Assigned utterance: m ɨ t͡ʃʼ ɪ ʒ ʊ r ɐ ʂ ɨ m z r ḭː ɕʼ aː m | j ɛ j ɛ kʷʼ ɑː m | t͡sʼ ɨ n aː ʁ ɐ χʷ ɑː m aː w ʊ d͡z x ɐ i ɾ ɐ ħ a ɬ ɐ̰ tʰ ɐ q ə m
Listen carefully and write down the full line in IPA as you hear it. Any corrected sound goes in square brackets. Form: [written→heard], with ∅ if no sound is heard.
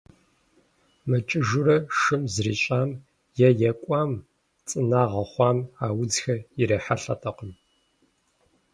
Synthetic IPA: m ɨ t͡ʃʼ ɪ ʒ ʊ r ɐ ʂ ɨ m z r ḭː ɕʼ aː m | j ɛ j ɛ kʷʼ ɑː m | t͡sʼ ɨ n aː ʁ ɐ χʷ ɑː m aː w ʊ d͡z x ɐ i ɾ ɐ ħ a ɬ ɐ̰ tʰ ɐ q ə m

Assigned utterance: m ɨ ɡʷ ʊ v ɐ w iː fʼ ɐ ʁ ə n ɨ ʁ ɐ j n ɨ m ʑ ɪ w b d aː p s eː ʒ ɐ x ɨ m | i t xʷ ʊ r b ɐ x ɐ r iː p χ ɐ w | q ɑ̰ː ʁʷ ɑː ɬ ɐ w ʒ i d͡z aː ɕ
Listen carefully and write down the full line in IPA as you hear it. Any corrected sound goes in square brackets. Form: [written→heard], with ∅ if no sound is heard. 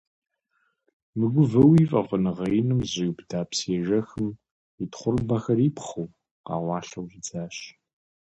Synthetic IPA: m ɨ ɡʷ ʊ v ɐ w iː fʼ ɐ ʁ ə n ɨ ʁ ɐ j n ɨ m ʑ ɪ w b d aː p s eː ʒ ɐ x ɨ m | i t [xʷ→χʷ] ʊ r b ɐ x ɐ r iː p χ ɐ w | q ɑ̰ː ʁʷ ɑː ɬ ɐ w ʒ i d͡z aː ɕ

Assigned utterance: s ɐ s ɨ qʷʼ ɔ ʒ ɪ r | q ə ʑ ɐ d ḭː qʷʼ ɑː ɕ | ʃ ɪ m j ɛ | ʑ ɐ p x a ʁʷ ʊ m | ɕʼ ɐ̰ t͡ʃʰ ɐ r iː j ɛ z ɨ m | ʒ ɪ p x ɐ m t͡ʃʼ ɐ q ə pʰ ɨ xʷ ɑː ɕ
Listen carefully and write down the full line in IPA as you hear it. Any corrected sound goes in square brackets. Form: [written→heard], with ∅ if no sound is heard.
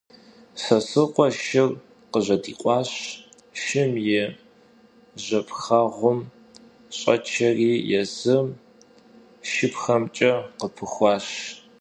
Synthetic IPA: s ɐ s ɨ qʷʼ ɔ [ʒ→ʃ] ɪ r | q ə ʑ ɐ d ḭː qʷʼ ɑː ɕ | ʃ ɪ m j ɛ | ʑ ɐ p x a ʁʷ ʊ m | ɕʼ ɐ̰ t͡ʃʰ ɐ r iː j ɛ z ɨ m | [ʒ→ʃ] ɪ p x ɐ m t͡ʃʼ ɐ q ə pʰ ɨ xʷ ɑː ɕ

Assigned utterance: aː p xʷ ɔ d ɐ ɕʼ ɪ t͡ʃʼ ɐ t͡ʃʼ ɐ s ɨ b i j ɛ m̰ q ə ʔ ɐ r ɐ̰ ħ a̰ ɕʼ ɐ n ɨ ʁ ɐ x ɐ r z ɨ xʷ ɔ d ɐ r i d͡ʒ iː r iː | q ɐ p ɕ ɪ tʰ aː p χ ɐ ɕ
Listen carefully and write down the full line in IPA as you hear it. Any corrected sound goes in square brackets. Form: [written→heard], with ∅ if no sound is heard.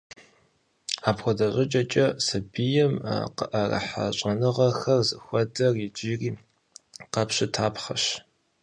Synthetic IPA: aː p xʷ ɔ d ɐ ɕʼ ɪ t͡ʃʼ ɐ t͡ʃʼ ɐ s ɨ b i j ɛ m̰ q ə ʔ ɐ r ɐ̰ ħ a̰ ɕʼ ɐ n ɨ ʁ ɐ x ɐ r z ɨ xʷ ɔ d ɐ r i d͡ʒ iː r iː | q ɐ p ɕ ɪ tʰ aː p χ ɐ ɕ

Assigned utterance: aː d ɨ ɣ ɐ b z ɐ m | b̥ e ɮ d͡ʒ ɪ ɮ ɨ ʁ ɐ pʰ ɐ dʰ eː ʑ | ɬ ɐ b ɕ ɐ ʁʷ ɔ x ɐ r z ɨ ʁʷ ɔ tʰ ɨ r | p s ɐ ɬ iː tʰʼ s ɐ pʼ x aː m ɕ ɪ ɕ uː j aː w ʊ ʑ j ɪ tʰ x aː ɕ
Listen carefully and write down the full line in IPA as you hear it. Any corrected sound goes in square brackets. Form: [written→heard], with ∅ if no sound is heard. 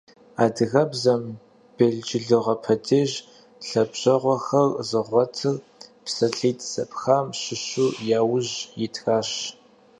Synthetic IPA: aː d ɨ ɣ ɐ b z ɐ m | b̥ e ɮ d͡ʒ ɪ ɮ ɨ ʁ ɐ pʰ ɐ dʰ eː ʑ | ɬ ɐ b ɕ ɐ ʁʷ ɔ x ɐ r z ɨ ʁʷ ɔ tʰ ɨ r | p s ɐ ɬ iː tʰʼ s ɐ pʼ x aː m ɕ ɪ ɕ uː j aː w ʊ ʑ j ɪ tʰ x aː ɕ

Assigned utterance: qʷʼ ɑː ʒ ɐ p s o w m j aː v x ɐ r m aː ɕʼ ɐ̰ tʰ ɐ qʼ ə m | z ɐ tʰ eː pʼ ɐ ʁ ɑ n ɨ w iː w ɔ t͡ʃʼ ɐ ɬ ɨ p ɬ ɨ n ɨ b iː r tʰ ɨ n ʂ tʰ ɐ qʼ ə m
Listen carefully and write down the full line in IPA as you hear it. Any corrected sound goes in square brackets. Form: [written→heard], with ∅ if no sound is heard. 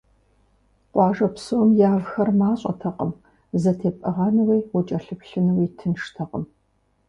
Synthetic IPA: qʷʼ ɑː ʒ ɐ p s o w m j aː v x ɐ r m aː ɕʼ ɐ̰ tʰ ɐ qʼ ə m | z ɐ tʰ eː pʼ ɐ ʁ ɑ n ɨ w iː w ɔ t͡ʃʼ ɐ ɬ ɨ p ɬ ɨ n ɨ [b→w] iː [r→∅] tʰ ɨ n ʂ tʰ ɐ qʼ ə m

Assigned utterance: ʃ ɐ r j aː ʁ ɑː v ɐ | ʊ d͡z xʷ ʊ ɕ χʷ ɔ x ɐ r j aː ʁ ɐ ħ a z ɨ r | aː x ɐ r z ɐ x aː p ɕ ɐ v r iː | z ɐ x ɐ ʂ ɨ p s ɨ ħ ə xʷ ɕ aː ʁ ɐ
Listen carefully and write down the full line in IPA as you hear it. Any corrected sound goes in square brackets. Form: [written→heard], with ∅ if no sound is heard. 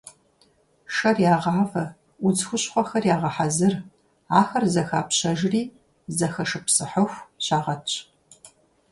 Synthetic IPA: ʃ ɐ r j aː ʁ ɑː v ɐ | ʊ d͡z xʷ ʊ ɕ χʷ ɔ x ɐ r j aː ʁ ɐ ħ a z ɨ r | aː x ɐ r z ɐ x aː p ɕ ɐ [v→ʒ] r iː | z ɐ x ɐ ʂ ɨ p s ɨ ħ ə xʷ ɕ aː ʁ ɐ

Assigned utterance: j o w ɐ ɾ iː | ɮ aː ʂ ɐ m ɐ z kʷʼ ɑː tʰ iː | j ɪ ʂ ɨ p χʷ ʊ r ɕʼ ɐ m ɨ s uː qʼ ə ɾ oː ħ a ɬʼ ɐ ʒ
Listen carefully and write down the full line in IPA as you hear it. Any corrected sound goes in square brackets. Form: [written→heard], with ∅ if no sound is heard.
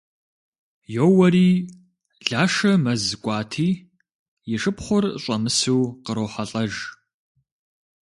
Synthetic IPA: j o w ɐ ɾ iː | ɮ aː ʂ ɐ m ɐ z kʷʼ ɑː tʰ iː | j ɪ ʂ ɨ p χʷ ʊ r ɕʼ ɐ m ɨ s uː [qʼ→q] ə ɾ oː ħ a ɬʼ ɐ ʒ

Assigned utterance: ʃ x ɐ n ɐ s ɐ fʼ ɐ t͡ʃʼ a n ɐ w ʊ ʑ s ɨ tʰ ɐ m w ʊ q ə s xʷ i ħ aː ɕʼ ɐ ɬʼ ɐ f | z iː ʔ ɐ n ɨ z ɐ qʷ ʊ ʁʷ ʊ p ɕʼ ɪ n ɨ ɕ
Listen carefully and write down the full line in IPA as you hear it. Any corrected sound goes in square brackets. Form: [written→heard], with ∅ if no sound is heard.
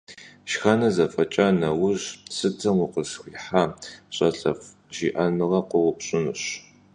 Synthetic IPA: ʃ x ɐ n ɐ [s→z] ɐ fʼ ɐ t͡ʃʼ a n ɐ w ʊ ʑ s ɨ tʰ ɐ m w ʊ q ə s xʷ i ħ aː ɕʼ ɐ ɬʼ ɐ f | [z→ʒ] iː ʔ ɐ n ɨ [z→ʁ] ɐ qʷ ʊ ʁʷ ʊ p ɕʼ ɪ n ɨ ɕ

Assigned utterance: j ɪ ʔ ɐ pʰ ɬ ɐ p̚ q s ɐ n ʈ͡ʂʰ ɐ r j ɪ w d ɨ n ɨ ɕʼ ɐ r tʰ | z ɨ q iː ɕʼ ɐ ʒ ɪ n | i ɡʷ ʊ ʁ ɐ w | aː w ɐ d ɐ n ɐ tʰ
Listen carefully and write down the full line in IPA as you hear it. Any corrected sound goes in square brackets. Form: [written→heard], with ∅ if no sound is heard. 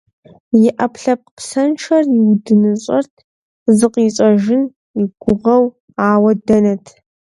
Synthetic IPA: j ɪ ʔ ɐ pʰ ɬ ɐ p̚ q s ɐ n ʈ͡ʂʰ ɐ r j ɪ w d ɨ n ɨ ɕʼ ɐ r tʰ | z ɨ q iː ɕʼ ɐ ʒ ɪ n | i ɡʷ ʊ ʁ ɐ w | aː w ɐ d ɐ n ɐ tʰ

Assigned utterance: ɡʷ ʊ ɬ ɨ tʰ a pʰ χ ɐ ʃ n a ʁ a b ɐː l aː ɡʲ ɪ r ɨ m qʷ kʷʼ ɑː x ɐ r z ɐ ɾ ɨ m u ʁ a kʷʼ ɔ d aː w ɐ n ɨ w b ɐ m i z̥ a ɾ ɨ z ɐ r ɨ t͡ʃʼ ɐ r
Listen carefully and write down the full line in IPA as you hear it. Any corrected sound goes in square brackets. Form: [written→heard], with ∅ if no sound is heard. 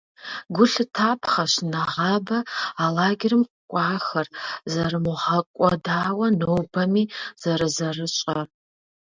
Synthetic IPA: ɡʷ ʊ ɬ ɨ tʰ a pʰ χ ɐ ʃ n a ʁ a b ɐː l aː ɡʲ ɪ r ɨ m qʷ kʷʼ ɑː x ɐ r z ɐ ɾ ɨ m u ʁ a kʷʼ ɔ d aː w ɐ n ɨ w b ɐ m i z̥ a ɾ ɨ z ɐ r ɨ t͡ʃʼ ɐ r

